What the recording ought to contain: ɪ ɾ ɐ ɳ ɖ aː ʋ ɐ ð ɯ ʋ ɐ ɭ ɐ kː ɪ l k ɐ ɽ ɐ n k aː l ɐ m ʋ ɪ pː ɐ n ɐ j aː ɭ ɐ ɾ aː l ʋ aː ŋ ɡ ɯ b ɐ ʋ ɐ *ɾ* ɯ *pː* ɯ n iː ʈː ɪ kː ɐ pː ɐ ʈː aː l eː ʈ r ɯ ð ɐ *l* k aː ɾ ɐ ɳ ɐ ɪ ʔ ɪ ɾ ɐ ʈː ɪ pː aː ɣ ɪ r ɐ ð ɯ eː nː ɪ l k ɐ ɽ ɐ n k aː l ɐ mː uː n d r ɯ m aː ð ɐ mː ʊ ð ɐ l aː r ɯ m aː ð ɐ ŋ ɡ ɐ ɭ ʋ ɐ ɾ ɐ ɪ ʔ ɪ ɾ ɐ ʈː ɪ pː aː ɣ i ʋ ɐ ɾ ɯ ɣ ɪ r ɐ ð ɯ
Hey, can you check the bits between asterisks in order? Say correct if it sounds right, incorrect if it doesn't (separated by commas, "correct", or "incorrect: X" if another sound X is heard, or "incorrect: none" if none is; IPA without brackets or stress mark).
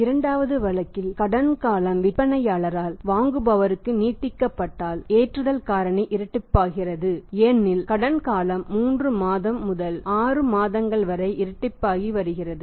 correct, incorrect: kː, correct